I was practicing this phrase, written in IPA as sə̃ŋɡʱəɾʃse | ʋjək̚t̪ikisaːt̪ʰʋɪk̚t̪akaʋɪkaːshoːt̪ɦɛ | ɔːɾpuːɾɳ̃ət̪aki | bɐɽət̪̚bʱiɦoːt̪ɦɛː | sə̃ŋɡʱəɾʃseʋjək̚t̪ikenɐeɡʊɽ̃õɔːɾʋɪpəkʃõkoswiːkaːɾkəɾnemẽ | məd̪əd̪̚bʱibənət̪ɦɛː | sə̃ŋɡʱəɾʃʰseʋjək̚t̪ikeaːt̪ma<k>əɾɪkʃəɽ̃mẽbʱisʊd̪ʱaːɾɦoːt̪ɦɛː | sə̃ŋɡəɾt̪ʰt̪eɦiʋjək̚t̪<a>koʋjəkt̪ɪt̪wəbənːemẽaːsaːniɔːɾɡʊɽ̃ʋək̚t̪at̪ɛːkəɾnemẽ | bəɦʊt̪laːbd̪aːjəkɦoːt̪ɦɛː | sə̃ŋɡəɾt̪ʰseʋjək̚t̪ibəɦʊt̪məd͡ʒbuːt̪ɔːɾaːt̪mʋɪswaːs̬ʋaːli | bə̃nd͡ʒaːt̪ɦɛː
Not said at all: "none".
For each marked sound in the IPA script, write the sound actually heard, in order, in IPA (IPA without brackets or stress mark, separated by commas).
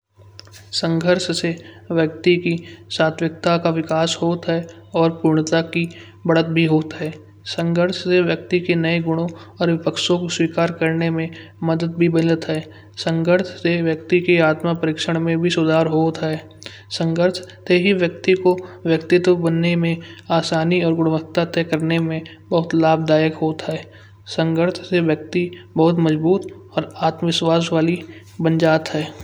p, i